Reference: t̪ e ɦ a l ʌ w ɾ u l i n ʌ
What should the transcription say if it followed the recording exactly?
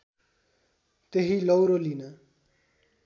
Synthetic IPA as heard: t̪ e ɦ i l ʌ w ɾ o l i n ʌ